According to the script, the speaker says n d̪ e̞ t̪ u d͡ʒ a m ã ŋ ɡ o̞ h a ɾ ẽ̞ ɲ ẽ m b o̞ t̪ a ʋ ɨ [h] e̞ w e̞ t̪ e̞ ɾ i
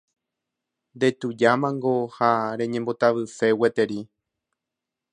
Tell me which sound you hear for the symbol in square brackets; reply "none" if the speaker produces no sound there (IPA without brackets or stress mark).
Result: f